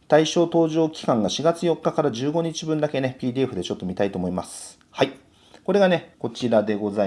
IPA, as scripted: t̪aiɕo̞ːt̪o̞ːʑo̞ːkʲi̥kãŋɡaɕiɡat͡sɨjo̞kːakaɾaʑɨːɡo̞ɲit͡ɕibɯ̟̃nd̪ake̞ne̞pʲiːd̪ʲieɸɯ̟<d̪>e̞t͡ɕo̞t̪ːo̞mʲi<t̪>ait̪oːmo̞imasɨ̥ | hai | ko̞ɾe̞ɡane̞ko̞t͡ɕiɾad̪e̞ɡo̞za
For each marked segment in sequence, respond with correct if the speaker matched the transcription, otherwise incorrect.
correct, correct

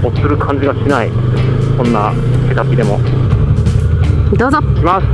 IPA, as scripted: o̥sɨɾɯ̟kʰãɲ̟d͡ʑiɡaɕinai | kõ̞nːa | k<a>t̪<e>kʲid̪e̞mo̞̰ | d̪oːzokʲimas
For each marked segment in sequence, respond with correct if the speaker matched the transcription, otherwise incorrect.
incorrect, incorrect

